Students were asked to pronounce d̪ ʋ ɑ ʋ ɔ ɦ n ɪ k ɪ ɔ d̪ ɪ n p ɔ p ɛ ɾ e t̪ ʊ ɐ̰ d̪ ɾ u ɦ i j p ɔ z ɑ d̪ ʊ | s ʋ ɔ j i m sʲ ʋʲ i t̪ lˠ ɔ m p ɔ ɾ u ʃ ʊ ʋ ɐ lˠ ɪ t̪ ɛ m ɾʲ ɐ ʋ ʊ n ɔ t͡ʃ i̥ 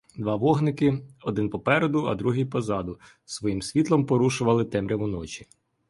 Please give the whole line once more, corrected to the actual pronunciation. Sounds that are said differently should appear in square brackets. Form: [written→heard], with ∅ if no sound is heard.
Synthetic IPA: d̪ ʋ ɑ ʋ ɔ ɦ n ɪ k ɪ ɔ d̪ ɪ n p ɔ p ɛ ɾ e [t̪→d̪] ʊ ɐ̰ d̪ ɾ u ɦ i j p ɔ z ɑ d̪ ʊ | s ʋ ɔ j i m sʲ ʋʲ i t̪ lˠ ɔ m p ɔ ɾ u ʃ ʊ ʋ ɐ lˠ ɪ t̪ ɛ m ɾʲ ɐ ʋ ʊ n ɔ t͡ʃ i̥